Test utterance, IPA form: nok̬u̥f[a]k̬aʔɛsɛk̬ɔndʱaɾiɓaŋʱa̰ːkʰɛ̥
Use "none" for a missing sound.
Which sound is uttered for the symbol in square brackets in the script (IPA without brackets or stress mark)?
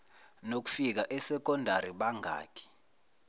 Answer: i